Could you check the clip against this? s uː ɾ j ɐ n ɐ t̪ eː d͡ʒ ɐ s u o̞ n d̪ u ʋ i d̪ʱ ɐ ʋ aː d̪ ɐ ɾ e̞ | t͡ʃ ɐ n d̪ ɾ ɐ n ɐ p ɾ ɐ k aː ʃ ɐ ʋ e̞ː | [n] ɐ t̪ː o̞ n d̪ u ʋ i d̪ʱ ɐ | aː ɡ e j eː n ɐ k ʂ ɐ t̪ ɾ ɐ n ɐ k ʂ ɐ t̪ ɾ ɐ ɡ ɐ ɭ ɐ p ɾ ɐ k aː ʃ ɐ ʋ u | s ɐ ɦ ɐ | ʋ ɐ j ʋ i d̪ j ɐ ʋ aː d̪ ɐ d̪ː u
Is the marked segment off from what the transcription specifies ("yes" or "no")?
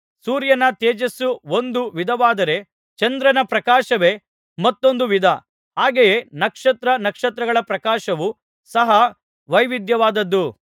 yes